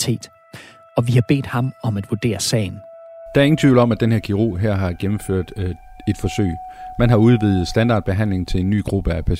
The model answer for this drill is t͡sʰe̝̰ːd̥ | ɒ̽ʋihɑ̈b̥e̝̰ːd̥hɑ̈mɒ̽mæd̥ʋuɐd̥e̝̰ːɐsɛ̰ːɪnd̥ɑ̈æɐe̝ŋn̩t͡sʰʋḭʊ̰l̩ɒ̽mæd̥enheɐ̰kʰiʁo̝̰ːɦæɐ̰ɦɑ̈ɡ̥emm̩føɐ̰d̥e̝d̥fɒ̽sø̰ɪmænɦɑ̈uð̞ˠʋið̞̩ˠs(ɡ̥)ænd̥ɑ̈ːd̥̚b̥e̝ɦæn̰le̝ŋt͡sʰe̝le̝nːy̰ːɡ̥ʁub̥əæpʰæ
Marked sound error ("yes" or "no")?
yes